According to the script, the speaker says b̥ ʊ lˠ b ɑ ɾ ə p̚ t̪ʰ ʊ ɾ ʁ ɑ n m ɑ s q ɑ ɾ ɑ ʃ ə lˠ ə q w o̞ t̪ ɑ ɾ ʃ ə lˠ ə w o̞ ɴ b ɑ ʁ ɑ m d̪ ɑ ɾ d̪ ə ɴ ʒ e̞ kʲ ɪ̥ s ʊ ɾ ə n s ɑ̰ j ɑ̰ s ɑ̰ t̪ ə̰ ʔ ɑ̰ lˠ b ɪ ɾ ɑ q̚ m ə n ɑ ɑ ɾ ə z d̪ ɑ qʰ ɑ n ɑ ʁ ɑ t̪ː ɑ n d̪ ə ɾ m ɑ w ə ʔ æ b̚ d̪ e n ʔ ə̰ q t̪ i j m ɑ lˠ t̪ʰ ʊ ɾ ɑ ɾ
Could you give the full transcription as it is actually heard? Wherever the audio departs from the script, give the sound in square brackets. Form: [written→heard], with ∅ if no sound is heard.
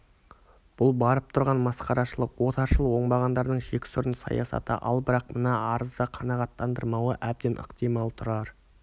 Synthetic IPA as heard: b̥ ʊ lˠ b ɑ ɾ ə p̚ t̪ʰ ʊ ɾ ʁ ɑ n m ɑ s q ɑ ɾ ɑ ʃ ə lˠ ə q w o̞ t̪ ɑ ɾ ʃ ə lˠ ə w o̞ ɴ b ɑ ʁ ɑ [m→n] d̪ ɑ ɾ d̪ ə ɴ ʒ e̞ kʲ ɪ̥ s ʊ ɾ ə n s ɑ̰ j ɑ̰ s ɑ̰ t̪ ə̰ ʔ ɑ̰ lˠ b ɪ ɾ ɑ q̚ m ə n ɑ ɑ ɾ ə z d̪ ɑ qʰ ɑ n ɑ ʁ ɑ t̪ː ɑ n d̪ ə ɾ m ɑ w ə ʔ æ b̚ d̪ e n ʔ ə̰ q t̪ i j m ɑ lˠ t̪ʰ ʊ ɾ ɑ ɾ